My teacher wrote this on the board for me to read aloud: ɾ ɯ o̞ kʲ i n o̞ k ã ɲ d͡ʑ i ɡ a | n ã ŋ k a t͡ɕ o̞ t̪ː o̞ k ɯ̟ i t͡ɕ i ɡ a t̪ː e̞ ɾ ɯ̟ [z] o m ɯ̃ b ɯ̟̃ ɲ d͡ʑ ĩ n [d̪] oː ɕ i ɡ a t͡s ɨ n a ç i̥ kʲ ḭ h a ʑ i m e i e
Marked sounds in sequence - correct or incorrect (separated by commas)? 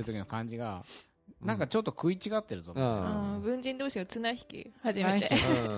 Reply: correct, correct